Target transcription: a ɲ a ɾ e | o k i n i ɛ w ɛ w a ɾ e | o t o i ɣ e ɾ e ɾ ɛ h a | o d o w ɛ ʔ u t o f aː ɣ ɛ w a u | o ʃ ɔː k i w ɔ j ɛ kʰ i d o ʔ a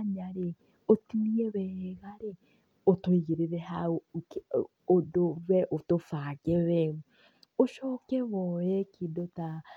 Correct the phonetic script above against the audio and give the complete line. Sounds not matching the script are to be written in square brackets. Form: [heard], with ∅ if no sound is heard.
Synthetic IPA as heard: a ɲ a ɾ e | o [t] i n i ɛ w ɛ [ɣ] a ɾ e | o t o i ɣ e ɾ e ɾ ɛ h a | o d o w ɛ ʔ [o] t o f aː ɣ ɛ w [ɛ] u | o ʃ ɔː k [ɛ] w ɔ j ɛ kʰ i d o [t] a